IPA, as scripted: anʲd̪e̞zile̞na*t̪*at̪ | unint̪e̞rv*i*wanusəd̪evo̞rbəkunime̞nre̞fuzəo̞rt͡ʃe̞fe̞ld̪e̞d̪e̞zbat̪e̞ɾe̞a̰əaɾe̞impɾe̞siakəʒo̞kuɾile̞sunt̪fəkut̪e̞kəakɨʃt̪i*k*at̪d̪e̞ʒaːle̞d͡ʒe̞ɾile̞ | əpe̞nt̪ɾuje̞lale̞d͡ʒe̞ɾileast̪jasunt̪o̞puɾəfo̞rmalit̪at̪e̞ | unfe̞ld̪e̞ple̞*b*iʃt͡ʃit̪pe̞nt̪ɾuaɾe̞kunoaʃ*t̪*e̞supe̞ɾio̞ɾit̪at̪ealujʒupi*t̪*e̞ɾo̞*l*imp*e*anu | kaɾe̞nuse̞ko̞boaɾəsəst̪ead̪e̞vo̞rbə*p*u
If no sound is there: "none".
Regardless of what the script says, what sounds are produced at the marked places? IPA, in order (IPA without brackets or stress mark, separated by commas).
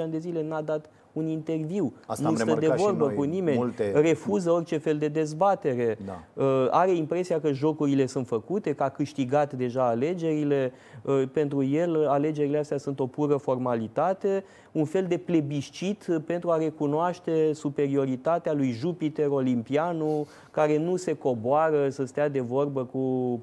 d̪, i, ɡ, b, t̪, t̪, l, i, k